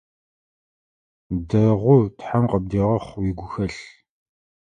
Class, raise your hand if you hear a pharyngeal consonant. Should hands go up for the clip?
yes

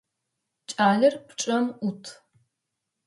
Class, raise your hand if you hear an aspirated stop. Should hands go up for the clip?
yes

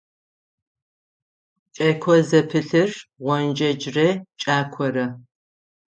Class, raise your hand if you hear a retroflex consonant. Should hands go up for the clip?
no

